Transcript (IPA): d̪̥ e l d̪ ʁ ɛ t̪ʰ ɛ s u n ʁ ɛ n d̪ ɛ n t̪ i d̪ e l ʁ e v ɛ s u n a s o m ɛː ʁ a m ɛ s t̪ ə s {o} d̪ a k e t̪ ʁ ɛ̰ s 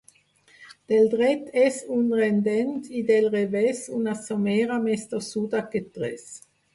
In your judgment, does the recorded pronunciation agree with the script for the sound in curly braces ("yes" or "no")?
no